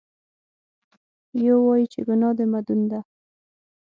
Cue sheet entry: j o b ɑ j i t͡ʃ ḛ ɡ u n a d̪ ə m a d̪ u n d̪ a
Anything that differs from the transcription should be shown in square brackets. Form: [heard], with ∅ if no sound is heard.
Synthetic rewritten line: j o [w] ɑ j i t͡ʃ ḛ ɡ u n [ɑ] d̪ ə m a d̪ u n d̪ a